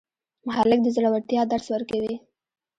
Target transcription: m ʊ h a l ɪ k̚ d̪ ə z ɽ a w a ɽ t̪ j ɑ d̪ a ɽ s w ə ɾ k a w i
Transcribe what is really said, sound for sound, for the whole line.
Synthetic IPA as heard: m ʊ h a l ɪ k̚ d̪ ə z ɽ a w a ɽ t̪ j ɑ d̪ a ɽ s w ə ɾ k a w i